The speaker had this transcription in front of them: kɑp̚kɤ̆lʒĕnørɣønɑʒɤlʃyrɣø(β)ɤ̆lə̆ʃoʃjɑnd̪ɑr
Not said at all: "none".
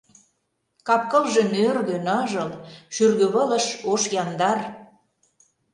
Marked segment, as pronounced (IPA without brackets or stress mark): β